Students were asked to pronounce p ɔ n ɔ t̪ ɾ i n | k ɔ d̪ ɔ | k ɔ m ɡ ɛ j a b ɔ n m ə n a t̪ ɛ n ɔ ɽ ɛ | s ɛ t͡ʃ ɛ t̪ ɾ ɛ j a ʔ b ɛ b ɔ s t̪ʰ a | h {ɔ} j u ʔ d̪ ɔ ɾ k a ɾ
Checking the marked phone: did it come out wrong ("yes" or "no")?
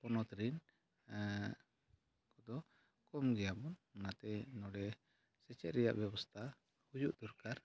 yes